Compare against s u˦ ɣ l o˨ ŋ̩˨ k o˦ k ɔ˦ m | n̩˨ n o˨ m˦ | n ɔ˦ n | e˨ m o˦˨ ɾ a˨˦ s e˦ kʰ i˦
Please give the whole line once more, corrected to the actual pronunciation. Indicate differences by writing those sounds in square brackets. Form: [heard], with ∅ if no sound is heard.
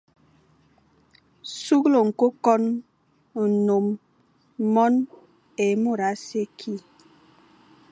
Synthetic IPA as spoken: s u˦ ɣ l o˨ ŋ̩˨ k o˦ k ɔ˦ [n] | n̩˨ n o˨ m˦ | [m] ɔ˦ n | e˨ m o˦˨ ɾ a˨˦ s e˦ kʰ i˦